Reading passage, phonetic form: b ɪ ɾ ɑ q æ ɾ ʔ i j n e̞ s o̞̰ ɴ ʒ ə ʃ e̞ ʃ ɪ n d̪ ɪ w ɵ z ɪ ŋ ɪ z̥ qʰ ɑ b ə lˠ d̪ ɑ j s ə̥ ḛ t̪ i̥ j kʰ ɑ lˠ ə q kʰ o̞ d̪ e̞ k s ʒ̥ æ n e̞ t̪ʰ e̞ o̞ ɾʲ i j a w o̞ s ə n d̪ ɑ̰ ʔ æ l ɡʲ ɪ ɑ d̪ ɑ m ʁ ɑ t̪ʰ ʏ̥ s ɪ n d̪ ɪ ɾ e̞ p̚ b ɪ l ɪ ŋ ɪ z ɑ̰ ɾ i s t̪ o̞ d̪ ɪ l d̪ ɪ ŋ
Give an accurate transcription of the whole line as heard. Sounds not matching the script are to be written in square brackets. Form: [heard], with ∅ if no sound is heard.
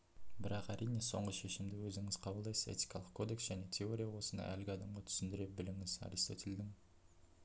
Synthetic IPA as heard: b ɪ ɾ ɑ q æ ɾ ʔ i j n e̞ s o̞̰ ɴ [ʁ] ə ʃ e̞ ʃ ɪ [m] d̪ ɪ w ɵ z ɪ ŋ ɪ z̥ qʰ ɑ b ə lˠ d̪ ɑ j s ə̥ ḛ t̪ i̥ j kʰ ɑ lˠ ə q kʰ o̞ d̪ e̞ k s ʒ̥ æ n e̞ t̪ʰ e̞ o̞ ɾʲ i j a w o̞ s ə n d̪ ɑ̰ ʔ æ l ɡʲ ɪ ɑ d̪ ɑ m ʁ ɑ t̪ʰ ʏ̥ s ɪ n d̪ ɪ ɾ e̞ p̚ b ɪ l ɪ ŋ ɪ z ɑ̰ ɾ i s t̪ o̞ [t̪] ɪ l d̪ ɪ ŋ

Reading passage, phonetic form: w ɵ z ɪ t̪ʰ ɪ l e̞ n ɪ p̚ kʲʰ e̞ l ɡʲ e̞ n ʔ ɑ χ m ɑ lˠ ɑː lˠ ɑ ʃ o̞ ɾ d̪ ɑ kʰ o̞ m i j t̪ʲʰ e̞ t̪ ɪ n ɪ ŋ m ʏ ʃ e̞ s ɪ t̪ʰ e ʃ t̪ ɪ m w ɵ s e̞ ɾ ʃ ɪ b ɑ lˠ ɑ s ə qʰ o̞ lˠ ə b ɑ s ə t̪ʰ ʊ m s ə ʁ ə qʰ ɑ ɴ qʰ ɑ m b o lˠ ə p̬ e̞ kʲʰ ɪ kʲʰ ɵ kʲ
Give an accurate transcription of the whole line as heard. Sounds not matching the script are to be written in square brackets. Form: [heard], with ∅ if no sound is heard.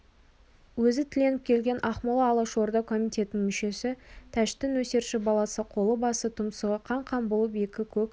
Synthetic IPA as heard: w ɵ z ɪ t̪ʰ ɪ l e̞ n ɪ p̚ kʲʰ e̞ l ɡʲ e̞ n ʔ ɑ χ m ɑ lˠ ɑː lˠ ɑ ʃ o̞ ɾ d̪ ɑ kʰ o̞ m i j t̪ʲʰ e̞ t̪ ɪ n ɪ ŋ m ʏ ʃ e̞ s ɪ t̪ʰ [æ] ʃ t̪ ɪ [n] w ɵ s e̞ ɾ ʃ ɪ b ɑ lˠ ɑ s ə qʰ o̞ lˠ ə b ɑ s ə t̪ʰ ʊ m s ə ʁ ə qʰ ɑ ɴ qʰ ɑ m b o lˠ ə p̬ e̞ [kʲ] ɪ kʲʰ ɵ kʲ

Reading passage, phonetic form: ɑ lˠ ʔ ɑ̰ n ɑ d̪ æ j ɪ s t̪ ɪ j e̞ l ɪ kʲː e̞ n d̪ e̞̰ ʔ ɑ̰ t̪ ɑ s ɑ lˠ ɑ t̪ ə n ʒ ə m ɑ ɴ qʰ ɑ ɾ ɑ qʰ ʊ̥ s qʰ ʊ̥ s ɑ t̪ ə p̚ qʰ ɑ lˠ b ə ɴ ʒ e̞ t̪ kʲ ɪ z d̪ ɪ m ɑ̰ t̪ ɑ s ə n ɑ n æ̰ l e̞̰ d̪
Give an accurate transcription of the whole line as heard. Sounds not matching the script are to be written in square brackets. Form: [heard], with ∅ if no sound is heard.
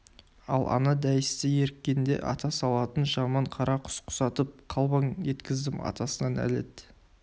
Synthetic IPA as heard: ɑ lˠ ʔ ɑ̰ n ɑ d̪ æ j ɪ s t̪ ɪ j e̞ [ɾ] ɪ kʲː e̞ n d̪ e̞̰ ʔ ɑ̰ t̪ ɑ s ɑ lˠ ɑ t̪ ə n ʒ [ɑ] m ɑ ɴ qʰ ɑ ɾ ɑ qʰ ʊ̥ s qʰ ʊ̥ s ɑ t̪ ə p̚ qʰ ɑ lˠ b [ɑ] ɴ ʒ e̞ t̪ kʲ ɪ z d̪ ɪ m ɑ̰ t̪ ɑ s ə n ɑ n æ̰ l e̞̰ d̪

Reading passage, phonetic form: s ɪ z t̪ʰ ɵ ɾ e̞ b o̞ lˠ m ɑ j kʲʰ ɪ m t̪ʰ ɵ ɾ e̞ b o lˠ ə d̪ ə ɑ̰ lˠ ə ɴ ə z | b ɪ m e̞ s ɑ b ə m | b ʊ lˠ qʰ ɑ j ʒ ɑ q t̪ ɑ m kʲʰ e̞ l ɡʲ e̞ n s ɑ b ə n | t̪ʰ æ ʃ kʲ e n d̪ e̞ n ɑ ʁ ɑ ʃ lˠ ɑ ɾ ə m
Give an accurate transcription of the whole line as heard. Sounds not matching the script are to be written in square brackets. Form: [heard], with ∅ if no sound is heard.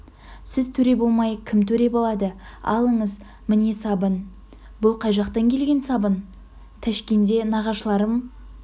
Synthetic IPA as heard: s ɪ z t̪ʰ ɵ ɾ e̞ b o̞ lˠ m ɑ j kʲʰ ɪ m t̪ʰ ɵ ɾ e̞ b o lˠ [ɑ] d̪ ə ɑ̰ lˠ ə ɴ ə z | [m] ɪ [n] e̞ s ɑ b ə [n] | b ʊ lˠ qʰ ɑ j ʒ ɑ q t̪ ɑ [ŋ] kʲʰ e̞ l ɡʲ e̞ n s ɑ b ə n | t̪ʰ æ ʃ kʲ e n d̪ e̞ n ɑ ʁ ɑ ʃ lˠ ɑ ɾ ə m

